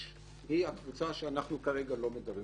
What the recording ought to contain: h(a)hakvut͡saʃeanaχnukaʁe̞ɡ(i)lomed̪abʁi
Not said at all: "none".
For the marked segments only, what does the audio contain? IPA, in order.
i, a

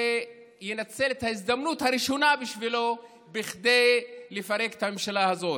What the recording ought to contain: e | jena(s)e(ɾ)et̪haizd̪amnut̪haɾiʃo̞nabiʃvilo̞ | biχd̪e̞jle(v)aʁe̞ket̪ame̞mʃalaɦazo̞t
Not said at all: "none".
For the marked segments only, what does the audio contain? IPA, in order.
t͡s, l, f

